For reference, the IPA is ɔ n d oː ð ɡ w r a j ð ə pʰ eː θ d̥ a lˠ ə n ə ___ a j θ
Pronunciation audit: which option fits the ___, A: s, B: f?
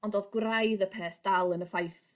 B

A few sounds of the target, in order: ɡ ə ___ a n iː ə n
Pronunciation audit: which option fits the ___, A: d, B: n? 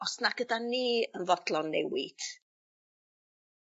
A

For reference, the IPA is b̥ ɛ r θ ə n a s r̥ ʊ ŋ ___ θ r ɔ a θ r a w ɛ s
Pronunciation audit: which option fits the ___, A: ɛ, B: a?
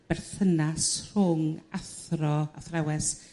B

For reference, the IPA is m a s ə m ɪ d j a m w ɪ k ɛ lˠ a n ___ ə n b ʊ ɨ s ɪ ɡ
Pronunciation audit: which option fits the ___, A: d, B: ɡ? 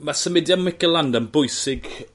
A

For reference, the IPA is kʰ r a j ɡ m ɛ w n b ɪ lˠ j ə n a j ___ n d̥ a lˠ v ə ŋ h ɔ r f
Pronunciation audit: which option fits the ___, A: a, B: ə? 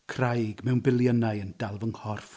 B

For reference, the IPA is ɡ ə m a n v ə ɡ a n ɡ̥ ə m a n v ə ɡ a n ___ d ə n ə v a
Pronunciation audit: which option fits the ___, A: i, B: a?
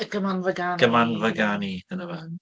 A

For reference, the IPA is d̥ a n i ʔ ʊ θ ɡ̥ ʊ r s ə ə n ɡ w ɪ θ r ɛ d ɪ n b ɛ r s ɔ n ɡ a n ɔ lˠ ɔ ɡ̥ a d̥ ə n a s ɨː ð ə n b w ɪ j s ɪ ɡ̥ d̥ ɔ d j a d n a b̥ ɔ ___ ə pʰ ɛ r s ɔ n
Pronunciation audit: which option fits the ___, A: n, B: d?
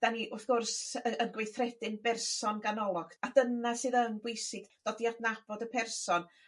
B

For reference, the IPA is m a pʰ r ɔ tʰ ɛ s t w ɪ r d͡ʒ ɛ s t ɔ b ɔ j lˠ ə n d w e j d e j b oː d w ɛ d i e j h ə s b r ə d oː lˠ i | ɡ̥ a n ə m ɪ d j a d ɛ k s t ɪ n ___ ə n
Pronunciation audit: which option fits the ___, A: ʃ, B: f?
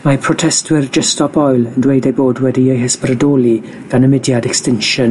A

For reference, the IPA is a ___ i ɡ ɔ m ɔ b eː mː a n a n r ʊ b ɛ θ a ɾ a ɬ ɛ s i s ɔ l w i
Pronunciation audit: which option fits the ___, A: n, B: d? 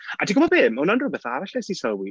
B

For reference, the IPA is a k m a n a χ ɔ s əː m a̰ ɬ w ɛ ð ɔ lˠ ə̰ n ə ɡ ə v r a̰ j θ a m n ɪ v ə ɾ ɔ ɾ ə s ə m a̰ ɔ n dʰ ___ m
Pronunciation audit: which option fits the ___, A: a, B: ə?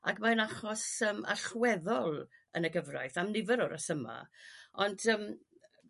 B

